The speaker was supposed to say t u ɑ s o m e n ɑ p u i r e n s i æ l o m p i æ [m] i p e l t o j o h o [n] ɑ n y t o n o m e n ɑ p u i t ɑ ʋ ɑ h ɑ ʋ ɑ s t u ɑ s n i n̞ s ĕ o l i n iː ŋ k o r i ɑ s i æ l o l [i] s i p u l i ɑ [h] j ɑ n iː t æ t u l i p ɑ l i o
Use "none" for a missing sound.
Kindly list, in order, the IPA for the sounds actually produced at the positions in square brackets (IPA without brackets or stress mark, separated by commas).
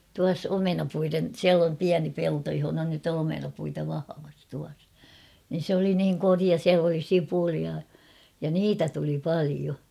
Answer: n, n, i, none